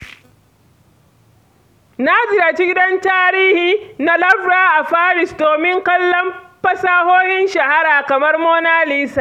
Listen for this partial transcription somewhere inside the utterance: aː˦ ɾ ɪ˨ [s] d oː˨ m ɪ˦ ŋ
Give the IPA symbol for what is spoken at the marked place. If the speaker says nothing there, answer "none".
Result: s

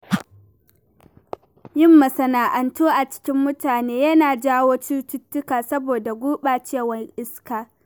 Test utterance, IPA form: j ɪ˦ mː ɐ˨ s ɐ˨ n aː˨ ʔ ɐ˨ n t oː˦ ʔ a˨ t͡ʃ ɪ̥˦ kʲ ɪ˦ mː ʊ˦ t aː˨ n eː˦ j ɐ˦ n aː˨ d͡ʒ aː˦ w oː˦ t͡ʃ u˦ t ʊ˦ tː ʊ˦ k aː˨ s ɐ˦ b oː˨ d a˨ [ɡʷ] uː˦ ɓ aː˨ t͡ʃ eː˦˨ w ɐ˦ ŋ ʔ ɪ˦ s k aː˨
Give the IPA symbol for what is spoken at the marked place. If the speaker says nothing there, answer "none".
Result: ɡʷ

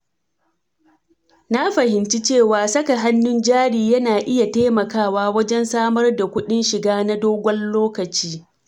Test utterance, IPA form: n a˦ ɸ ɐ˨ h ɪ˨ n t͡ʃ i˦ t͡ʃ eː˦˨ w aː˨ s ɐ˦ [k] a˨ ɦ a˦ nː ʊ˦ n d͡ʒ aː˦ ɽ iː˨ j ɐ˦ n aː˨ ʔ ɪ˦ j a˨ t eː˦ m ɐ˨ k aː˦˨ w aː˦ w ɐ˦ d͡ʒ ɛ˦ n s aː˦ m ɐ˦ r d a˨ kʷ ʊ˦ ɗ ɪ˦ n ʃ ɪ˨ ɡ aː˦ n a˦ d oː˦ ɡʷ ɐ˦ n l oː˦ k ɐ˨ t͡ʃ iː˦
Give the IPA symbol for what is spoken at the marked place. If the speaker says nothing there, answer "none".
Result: k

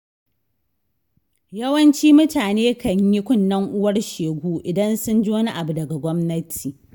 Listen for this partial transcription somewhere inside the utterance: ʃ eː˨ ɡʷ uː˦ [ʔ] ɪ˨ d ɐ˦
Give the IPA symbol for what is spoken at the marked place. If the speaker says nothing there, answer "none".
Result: ʔ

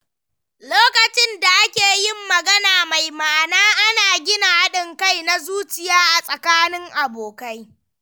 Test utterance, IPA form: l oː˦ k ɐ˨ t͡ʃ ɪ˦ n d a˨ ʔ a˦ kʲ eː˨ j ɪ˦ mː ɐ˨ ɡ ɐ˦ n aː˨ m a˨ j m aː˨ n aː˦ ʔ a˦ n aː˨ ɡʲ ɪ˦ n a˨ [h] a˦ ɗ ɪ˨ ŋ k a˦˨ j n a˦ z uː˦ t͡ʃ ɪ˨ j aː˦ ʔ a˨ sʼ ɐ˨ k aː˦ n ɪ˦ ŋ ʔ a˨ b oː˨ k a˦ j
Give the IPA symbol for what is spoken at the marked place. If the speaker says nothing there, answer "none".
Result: h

